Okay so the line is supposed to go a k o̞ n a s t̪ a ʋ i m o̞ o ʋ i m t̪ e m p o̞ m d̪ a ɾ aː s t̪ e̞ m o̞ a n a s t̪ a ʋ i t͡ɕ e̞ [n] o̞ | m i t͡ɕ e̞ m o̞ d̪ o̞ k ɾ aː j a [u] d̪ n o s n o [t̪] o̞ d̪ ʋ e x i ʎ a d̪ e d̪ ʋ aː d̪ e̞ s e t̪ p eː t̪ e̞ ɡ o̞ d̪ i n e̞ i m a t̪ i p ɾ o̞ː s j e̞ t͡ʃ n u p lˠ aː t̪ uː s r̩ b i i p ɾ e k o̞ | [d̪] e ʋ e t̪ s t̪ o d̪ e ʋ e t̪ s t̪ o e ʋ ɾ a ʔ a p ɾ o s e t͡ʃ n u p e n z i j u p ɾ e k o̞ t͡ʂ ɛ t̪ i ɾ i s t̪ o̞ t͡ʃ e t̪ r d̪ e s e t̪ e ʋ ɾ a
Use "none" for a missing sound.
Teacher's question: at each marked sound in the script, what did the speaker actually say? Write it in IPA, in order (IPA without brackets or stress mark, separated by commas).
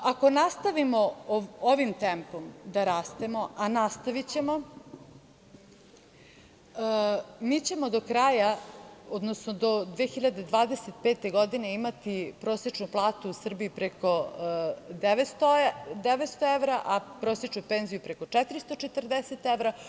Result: m, o, d̪, d̪